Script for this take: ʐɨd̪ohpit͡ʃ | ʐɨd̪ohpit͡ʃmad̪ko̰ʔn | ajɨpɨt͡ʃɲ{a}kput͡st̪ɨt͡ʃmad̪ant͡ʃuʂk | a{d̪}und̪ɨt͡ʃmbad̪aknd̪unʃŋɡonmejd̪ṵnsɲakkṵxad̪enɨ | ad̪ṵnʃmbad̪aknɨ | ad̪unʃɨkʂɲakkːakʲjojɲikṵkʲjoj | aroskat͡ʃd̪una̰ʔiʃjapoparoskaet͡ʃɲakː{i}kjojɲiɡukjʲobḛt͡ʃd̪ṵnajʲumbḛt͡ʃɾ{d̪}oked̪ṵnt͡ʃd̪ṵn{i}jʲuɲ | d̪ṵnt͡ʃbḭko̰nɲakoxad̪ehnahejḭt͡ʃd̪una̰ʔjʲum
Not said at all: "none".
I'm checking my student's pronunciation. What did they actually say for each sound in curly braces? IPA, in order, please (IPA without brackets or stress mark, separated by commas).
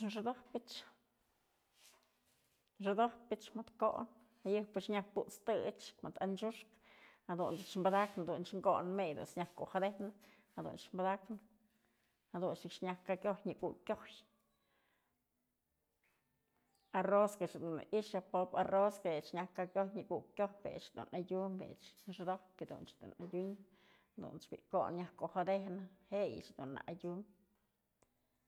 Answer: a, d̪, a, d̪, a